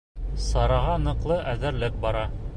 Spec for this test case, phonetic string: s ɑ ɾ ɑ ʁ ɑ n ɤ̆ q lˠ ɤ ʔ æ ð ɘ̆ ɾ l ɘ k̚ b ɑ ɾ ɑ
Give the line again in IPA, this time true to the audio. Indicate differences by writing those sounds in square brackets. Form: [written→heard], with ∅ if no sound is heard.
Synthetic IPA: s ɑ ɾ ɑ ʁ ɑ n ɤ̆ q lˠ ɤ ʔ æ ð ɘ̆ ɾ l ɘ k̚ b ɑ ɾ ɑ